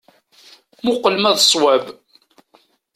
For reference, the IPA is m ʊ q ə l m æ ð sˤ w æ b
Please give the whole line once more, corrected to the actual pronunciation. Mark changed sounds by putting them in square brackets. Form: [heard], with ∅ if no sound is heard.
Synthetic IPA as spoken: m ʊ q ə l m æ ð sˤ w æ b

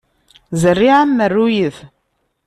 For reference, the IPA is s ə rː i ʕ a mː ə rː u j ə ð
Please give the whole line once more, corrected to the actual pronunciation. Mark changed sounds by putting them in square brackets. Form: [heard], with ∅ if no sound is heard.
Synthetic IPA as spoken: [z] ə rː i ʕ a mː ə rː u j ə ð

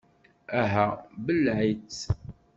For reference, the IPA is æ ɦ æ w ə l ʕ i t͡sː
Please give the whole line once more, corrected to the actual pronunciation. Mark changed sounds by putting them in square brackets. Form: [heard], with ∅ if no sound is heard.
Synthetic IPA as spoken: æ ɦ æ [b] ə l ʕ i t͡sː

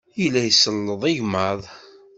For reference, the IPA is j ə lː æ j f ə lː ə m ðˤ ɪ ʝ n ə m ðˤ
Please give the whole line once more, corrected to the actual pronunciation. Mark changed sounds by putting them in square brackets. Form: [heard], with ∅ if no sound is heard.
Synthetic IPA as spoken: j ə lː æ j [s] ə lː ə [∅] ðˤ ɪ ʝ [m] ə [∅] ðˤ

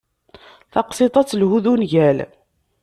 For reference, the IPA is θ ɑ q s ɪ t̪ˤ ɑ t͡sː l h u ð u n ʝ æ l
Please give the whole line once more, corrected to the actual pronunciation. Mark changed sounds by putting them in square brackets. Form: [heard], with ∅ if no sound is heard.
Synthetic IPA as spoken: θ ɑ q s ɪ t̪ˤ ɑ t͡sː l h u ð u n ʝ æ l

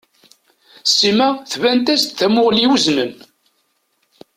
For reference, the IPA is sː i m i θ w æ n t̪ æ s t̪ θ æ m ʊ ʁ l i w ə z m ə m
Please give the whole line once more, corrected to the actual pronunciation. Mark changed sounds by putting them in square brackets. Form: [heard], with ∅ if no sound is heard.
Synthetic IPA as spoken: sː i m [æ] θ [v] æ n t̪ æ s t̪ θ æ m ʊ ʁ l i w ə z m ə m

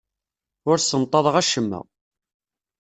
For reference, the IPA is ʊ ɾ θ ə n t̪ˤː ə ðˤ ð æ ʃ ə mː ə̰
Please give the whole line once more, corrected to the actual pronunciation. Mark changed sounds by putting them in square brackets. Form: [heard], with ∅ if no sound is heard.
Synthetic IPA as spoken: ʊ ɾ [s] ə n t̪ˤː [ɑ] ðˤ [ʁ] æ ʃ ə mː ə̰

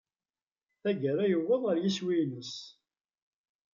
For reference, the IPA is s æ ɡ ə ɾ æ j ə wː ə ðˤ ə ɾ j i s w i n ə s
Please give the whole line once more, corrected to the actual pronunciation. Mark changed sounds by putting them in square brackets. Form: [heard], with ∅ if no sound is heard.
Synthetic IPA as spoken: [θ] æ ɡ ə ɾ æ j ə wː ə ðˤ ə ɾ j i s w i n ə s

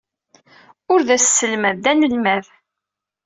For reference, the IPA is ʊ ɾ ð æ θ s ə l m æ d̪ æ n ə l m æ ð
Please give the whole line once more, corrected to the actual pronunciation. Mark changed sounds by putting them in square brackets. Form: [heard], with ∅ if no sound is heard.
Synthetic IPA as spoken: ʊ ɾ ð æ [s] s ə l m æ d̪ æ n ə l m æ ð

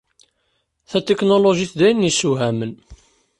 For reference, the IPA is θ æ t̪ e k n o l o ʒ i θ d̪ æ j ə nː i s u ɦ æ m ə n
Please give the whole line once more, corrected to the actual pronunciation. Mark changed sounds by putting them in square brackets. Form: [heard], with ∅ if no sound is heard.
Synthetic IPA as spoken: θ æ t̪ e k n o l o ʒ i θ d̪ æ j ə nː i s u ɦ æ m ə n

